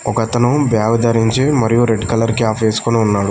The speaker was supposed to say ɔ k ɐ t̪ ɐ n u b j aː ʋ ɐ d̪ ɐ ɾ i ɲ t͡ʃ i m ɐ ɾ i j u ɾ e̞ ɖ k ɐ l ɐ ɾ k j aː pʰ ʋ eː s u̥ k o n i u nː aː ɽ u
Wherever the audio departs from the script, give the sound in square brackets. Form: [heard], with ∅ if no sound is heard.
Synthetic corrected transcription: ɔ k ɐ t̪ ɐ n u b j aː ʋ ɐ d̪ ɐ ɾ i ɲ t͡ʃ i m ɐ ɾ i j u ɾ e̞ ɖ k ɐ l ɐ ɾ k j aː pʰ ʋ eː s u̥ k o n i u nː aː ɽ u